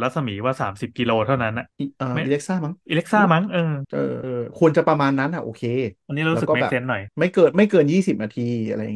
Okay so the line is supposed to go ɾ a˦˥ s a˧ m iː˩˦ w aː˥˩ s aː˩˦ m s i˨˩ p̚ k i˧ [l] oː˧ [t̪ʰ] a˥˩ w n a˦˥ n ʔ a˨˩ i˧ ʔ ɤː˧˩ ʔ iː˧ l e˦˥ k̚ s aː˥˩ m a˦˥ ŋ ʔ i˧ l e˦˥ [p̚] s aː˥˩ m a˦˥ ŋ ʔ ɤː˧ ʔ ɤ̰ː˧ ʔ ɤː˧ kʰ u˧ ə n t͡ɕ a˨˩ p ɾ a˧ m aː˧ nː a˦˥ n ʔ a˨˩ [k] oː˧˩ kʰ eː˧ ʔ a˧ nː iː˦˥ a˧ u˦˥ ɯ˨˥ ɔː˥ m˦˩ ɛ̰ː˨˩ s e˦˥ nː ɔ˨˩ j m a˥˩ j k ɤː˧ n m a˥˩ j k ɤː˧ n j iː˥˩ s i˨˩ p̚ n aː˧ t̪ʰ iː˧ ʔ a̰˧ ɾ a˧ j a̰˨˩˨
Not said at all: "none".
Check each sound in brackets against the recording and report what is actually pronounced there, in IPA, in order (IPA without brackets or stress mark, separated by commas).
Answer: l, t̪ʰ, k̚, ʔ